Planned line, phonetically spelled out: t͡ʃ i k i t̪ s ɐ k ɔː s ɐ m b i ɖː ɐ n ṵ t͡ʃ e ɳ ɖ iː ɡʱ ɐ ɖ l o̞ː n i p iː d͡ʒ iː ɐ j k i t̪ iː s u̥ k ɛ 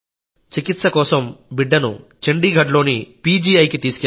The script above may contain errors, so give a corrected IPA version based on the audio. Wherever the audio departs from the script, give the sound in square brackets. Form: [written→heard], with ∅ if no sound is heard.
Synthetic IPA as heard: t͡ʃ i k i t̪ s ɐ k ɔː s ɐ m b i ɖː ɐ n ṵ t͡ʃ e ɳ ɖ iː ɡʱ ɐ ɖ l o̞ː n i p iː d͡ʒ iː ɐ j k i t̪ iː s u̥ k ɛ